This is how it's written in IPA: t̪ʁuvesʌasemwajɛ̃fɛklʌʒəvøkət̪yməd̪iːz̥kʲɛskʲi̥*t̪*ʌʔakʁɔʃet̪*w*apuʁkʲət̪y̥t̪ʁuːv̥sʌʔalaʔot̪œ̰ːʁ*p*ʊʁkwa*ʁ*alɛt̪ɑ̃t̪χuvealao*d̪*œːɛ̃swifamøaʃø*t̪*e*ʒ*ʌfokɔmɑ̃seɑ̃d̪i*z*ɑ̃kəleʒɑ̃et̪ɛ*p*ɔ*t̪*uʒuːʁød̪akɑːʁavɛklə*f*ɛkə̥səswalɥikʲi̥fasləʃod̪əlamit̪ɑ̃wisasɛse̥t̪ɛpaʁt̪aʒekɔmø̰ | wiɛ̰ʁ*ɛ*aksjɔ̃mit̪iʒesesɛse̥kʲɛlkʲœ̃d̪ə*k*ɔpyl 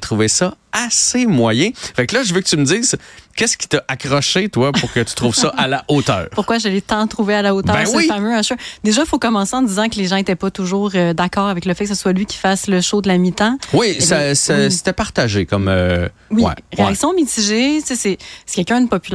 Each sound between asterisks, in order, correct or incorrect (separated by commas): correct, correct, correct, incorrect, incorrect, incorrect, correct, correct, correct, correct, correct, incorrect, incorrect